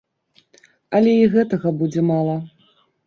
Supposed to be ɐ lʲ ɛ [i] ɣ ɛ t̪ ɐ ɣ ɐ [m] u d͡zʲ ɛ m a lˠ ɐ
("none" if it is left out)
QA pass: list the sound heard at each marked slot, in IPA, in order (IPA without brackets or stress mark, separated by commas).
i, b